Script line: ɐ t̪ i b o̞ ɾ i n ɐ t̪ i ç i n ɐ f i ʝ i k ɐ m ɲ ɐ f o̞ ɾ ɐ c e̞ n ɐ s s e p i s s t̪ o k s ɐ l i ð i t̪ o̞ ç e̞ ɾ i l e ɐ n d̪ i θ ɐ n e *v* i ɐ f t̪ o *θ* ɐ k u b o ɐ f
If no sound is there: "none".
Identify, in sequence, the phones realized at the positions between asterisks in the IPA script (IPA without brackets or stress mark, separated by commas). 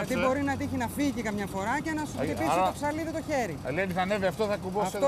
v, θ